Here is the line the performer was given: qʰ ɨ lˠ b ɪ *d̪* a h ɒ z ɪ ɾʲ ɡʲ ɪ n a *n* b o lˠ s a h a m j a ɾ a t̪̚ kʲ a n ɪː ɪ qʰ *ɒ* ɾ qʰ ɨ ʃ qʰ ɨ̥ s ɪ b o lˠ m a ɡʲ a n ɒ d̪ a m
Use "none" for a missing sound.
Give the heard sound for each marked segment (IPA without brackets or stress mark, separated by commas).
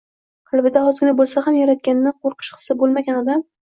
d̪, none, o